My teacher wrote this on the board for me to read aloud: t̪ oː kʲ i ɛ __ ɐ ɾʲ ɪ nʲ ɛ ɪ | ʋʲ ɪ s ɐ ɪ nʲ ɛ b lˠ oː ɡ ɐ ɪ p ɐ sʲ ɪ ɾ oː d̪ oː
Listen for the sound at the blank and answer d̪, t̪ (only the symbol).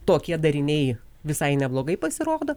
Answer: d̪